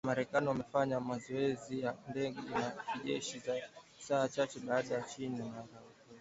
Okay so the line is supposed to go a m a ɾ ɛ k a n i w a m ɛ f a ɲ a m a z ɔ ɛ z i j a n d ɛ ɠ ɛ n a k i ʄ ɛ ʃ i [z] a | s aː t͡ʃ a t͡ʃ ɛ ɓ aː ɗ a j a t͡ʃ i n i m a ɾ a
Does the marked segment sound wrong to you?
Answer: no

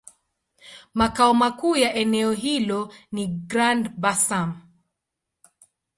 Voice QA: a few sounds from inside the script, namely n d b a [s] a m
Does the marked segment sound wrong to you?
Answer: no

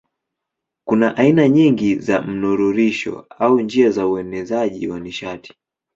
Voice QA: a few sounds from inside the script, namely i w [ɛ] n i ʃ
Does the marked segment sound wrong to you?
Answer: yes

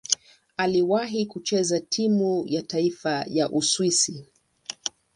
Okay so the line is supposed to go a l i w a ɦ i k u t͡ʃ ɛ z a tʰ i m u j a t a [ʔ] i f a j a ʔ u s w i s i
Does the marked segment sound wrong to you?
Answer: yes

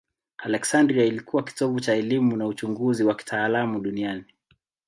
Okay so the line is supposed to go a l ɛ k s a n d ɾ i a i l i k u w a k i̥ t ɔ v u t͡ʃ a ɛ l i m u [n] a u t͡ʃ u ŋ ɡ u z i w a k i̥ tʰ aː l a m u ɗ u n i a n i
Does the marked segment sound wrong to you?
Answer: no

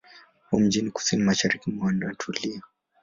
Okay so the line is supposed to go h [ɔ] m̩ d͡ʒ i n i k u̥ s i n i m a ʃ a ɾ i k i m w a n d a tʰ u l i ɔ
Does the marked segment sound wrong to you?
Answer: yes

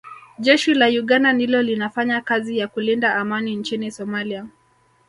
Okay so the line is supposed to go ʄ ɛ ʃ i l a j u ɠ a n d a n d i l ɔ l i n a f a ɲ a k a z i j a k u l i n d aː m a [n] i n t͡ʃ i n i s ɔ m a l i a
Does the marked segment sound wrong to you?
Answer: no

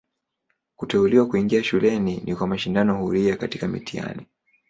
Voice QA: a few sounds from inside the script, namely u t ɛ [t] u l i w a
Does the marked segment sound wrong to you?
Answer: yes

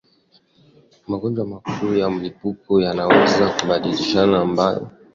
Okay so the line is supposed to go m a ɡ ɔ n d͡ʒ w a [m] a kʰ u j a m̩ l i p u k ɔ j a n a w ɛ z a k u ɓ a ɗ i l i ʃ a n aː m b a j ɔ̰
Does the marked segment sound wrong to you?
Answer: no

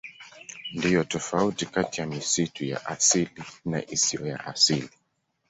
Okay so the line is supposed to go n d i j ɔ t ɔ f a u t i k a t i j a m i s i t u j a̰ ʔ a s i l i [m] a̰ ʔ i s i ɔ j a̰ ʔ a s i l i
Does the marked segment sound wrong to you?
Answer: yes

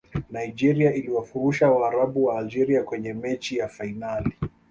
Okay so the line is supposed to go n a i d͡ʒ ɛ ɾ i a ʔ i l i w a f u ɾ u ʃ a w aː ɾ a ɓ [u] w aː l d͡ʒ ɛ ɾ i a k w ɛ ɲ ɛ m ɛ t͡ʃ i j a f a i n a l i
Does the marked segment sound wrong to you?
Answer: no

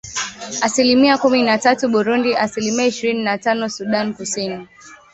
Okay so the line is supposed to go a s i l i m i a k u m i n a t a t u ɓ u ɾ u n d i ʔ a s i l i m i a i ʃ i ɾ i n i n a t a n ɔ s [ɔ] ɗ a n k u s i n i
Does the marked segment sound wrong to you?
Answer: yes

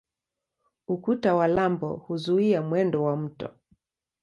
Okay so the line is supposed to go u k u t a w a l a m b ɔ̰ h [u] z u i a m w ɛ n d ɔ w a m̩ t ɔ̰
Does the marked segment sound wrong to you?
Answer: no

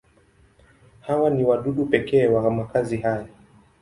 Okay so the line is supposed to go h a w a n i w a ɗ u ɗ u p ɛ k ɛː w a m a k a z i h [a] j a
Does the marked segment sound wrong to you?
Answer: no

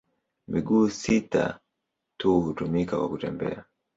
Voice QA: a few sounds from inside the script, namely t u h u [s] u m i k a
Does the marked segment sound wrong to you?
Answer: yes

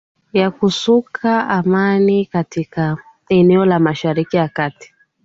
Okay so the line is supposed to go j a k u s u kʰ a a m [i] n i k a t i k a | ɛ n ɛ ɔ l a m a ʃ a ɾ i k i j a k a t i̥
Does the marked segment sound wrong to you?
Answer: yes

